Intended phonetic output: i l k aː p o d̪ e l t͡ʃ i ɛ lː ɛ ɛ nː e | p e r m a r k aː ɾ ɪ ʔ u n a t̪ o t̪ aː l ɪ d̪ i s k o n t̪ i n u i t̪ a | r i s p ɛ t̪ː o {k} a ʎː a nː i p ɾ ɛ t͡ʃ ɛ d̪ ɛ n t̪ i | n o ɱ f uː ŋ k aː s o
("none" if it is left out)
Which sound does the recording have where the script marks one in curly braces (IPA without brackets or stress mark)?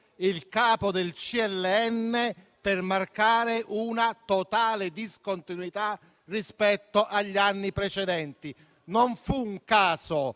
ʔ